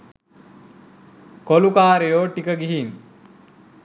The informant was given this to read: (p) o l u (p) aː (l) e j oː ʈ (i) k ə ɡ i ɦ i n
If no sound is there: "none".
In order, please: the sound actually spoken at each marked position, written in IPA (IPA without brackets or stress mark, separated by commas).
k, k, ɾ, i